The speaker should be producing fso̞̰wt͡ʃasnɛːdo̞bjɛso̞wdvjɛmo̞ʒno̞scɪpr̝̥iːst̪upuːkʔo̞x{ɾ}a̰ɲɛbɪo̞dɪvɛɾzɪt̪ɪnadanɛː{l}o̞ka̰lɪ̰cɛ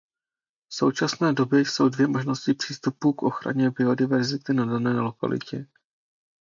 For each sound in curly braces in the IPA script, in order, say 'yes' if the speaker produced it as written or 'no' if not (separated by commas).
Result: yes, yes